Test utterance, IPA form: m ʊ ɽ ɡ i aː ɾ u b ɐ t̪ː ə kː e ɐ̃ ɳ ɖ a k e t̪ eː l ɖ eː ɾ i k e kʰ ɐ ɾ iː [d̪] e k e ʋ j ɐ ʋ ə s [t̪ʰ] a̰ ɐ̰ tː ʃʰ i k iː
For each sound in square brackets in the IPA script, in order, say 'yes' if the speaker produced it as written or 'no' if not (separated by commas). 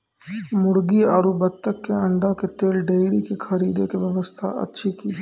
yes, yes